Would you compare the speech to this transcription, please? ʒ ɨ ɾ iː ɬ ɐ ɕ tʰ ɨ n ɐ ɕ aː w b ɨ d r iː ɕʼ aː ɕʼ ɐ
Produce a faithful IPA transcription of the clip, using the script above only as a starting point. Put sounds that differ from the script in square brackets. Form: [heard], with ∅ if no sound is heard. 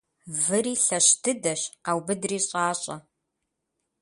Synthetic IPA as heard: [v] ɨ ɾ iː ɬ ɐ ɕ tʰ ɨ [d] ɐ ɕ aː w b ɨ d r iː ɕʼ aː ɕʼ ɐ

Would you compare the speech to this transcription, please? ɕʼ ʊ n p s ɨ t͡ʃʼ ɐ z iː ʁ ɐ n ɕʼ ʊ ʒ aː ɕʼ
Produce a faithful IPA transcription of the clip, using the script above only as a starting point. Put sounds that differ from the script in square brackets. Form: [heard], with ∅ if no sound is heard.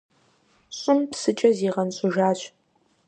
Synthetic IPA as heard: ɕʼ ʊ [m] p s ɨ t͡ʃʼ ɐ z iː ʁ ɐ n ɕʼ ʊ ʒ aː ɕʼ

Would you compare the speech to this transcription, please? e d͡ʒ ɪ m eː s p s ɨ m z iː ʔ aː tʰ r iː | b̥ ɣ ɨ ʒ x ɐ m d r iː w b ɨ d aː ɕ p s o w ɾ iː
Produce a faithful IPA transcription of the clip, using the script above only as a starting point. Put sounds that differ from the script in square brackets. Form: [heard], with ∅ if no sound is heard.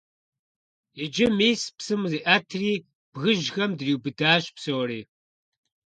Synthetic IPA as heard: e d͡ʒ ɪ m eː s p s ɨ m z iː ʔ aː tʰ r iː | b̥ ɣ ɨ ʒ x ɐ m d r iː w b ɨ d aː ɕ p s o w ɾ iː

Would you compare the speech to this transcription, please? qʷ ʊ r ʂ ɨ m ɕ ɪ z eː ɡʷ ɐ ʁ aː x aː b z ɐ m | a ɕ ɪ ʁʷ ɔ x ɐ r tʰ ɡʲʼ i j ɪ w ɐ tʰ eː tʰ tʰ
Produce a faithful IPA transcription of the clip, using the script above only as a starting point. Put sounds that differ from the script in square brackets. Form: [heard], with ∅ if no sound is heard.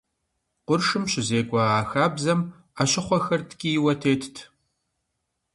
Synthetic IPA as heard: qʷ ʊ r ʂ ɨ m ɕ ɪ z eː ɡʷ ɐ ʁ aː x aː b z ɐ m | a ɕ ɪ [χʷ] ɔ x ɐ r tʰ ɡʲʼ i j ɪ w ɐ tʰ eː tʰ tʰ

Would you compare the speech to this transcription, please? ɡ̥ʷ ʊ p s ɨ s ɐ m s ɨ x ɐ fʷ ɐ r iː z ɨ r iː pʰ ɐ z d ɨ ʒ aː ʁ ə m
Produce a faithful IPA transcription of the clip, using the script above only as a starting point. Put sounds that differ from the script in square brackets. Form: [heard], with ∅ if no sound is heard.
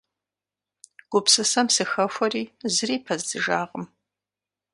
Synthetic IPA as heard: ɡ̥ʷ ʊ p s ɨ s ɐ m s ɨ x ɐ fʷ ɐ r iː z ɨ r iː pʰ ɐ z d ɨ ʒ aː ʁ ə m

